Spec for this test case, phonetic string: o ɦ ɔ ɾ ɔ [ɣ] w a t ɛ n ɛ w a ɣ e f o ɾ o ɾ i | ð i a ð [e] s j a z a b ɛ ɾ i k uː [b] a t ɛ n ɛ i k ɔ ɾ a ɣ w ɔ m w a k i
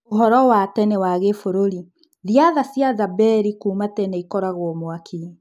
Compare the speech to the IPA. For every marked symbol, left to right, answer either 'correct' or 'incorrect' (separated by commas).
incorrect, incorrect, incorrect